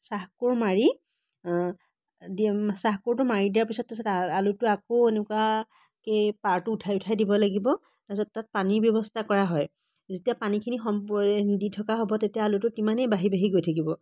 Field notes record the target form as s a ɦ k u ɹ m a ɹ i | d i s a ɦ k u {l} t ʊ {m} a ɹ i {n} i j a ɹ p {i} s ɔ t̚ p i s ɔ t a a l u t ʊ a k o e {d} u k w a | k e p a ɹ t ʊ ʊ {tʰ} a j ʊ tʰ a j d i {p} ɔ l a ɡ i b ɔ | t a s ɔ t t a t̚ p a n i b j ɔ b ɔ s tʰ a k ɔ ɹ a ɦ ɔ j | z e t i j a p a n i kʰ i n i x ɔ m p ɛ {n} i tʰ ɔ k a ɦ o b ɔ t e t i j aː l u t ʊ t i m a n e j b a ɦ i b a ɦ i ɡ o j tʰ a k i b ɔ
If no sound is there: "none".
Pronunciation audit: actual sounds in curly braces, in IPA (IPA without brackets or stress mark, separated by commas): ɹ, m, d, i, n, tʰ, b, d